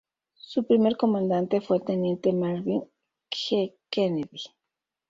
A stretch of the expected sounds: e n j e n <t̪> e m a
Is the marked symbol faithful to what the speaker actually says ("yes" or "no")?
yes